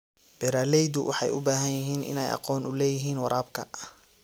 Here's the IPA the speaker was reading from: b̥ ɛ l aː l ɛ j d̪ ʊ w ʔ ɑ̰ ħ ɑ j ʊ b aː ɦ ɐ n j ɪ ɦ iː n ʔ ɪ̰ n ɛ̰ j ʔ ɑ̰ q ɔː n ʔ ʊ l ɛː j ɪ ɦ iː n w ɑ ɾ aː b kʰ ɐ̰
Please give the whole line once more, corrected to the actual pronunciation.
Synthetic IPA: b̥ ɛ ɾ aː l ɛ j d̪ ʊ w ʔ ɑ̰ ħ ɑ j ʊ b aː ɦ ɐ n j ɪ ɦ iː n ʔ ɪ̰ n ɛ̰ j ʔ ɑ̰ q ɔː n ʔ ʊ l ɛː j ɪ ɦ iː n w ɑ ɾ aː b kʰ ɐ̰